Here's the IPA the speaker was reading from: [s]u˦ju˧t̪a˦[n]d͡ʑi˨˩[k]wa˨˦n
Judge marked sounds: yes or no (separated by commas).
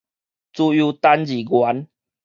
no, yes, no